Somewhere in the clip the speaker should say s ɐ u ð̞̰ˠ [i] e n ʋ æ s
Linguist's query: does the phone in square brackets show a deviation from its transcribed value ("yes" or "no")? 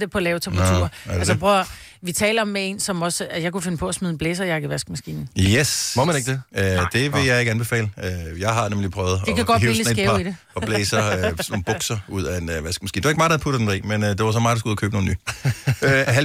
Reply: yes